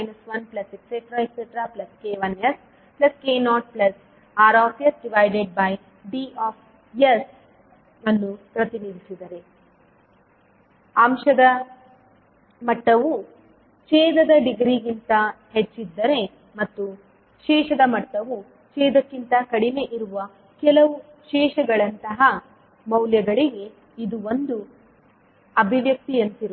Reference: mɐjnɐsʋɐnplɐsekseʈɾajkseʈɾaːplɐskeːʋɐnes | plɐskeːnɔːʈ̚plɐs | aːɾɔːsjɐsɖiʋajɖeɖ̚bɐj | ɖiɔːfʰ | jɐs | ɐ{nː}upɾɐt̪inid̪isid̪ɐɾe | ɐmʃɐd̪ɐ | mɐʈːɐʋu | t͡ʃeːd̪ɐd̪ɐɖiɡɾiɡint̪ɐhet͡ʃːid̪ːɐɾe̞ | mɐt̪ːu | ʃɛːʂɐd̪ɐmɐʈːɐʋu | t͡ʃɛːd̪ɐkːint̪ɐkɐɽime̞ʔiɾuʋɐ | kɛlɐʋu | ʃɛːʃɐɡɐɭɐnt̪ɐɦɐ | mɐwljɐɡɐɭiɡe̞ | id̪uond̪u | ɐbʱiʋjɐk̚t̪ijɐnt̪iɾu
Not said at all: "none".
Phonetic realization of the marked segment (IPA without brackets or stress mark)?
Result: nː